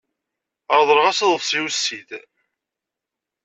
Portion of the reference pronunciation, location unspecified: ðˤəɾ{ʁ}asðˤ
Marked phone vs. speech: correct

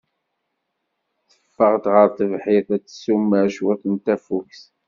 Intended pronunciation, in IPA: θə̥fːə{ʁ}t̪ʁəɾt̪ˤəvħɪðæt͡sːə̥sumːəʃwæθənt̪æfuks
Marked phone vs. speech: correct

